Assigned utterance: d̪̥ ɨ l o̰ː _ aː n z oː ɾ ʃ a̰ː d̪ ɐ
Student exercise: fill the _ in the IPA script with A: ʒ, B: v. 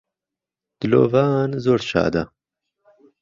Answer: B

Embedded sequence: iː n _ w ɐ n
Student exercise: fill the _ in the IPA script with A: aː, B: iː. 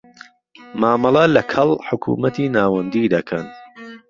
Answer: A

